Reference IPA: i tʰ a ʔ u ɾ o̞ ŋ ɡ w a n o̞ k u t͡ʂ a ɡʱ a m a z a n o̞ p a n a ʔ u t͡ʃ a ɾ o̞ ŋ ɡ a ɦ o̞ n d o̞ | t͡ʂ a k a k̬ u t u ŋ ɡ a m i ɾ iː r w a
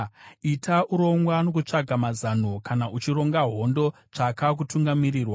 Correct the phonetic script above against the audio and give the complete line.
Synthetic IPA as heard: i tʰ a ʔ u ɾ o̞ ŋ ɡ w a n o̞ k u t͡ʂ a ɡʱ a m a z a n o̞ k a n a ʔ u t͡ʃ i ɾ o̞ ŋ ɡ a ɦ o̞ n d o̞ | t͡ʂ a k a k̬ u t u ŋ ɡ a m i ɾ iː r w a